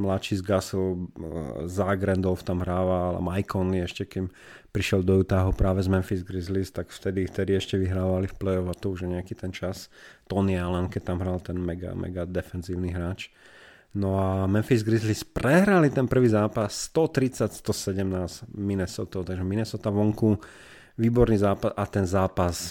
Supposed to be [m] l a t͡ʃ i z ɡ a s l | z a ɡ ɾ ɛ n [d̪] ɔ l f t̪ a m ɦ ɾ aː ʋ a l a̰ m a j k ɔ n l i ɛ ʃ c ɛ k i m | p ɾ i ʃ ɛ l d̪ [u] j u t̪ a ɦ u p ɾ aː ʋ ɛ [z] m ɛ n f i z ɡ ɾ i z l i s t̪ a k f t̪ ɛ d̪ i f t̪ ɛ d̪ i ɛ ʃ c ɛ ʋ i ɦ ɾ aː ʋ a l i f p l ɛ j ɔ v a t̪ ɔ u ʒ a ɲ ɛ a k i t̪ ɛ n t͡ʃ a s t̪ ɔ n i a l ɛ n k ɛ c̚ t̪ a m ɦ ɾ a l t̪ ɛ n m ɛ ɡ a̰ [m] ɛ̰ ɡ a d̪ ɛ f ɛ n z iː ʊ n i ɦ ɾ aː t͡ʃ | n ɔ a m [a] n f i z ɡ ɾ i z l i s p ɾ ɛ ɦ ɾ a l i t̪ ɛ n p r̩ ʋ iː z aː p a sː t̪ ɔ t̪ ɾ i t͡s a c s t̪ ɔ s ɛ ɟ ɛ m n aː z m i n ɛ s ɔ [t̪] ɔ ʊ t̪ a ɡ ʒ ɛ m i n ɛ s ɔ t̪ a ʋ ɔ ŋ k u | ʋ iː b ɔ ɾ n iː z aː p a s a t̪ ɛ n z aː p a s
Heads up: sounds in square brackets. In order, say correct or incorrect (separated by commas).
correct, correct, incorrect, correct, correct, incorrect, correct